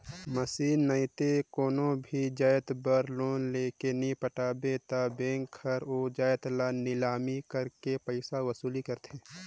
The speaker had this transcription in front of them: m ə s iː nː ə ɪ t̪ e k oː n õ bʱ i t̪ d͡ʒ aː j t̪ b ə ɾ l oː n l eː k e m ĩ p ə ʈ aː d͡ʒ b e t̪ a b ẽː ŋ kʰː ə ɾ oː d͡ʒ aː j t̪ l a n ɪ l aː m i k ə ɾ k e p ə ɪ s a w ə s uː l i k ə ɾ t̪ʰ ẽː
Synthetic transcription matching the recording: m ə s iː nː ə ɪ t̪ e k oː n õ bʱ i d͡ʒ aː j t̪ b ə ɾ l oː n l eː k e n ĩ p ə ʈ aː b e t̪ a b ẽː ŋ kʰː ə ɾ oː d͡ʒ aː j t̪ l a n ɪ l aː m i k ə ɾ k e p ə ɪ s a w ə s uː l i k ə ɾ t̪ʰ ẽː